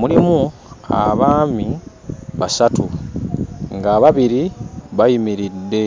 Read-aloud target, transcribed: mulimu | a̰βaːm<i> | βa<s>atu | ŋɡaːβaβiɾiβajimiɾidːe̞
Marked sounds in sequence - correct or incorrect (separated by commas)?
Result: correct, correct